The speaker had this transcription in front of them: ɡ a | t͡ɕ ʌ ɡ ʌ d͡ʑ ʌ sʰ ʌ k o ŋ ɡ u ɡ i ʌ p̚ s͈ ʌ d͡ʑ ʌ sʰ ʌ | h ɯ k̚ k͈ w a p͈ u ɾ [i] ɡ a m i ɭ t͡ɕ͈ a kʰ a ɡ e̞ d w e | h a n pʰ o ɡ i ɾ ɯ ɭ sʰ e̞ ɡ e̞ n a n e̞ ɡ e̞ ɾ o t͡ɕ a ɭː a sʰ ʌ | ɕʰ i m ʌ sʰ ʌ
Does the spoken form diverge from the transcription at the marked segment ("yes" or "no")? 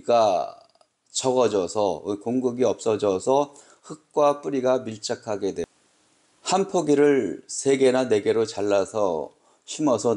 no